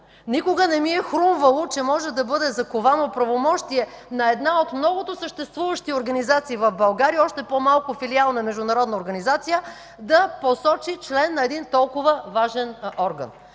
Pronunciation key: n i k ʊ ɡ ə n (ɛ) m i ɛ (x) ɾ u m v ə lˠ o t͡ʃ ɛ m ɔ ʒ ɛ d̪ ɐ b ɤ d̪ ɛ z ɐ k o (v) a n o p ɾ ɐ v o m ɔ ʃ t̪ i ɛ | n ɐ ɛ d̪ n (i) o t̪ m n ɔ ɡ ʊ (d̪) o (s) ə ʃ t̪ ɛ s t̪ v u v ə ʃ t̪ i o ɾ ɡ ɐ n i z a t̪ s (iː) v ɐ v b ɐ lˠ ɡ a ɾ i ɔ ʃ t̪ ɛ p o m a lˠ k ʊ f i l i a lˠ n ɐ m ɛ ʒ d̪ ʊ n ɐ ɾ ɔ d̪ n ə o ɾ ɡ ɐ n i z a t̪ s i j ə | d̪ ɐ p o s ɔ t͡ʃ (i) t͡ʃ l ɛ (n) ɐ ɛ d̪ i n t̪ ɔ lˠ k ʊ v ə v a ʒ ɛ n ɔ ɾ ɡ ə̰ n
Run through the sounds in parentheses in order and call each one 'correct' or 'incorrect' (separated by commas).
correct, correct, correct, incorrect, incorrect, correct, correct, correct, incorrect